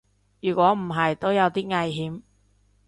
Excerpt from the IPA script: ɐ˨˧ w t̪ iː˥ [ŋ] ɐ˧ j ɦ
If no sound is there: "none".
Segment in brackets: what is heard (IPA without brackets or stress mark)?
ŋ